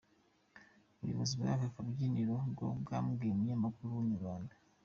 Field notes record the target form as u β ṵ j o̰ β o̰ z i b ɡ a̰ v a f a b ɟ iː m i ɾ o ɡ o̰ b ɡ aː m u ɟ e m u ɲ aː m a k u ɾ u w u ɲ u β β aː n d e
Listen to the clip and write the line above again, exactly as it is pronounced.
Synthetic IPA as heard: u β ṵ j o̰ β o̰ z i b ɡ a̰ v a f a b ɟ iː n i ɾ o ɡ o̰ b ɡ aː m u ɡ e m u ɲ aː m a k u ɾ u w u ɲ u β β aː n d a